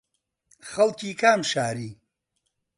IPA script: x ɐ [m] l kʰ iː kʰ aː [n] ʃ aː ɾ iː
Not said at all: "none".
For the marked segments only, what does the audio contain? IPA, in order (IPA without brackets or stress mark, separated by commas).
none, m